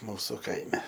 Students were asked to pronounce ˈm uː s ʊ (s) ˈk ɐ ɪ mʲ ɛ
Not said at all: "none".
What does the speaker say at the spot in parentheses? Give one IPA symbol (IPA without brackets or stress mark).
none